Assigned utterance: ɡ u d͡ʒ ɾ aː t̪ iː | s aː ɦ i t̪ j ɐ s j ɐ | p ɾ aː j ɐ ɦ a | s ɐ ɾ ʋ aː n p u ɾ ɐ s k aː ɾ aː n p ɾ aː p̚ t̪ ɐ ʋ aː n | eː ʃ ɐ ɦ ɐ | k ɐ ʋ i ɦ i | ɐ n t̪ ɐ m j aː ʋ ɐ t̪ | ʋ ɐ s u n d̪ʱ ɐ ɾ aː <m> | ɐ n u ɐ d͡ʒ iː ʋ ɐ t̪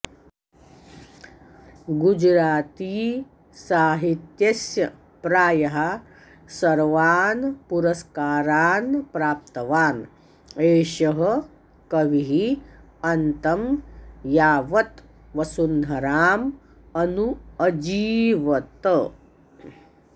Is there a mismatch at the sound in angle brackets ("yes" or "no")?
no